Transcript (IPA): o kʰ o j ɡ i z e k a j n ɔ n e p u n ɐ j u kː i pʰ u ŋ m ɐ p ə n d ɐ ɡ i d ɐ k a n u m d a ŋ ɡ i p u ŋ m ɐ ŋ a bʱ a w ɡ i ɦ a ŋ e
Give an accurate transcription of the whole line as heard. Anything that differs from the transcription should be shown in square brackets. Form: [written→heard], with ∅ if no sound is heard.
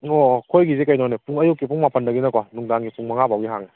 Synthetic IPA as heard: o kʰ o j ɡ i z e k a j n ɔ n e p u [n→ŋ] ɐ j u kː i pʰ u ŋ m [ɐ→a] p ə n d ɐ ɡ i [d→n] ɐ k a n u [m→ŋ] d a ŋ ɡ i p u ŋ m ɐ ŋ a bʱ a w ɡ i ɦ a ŋ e